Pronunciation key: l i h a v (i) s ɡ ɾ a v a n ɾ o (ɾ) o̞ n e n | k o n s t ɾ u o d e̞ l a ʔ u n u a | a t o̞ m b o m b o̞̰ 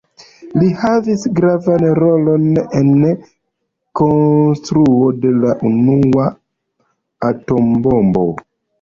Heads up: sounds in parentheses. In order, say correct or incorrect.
correct, incorrect: l

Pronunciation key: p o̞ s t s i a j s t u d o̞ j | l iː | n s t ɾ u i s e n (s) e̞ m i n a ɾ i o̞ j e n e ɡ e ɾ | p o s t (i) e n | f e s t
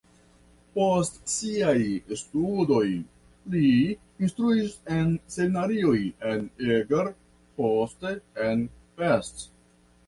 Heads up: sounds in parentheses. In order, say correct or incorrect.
correct, incorrect: e

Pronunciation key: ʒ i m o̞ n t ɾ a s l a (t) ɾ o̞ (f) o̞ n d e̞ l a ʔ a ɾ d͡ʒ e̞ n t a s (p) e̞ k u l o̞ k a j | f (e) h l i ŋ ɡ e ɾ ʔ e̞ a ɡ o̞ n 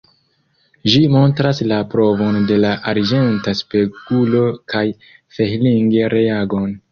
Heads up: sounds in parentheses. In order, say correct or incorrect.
incorrect: p, incorrect: v, correct, correct

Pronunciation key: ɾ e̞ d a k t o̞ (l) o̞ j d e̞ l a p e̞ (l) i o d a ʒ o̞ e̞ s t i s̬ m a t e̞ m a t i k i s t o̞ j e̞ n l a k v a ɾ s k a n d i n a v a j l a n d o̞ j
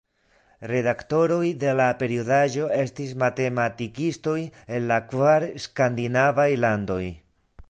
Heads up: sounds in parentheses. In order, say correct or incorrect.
incorrect: ɾ, incorrect: ɾ

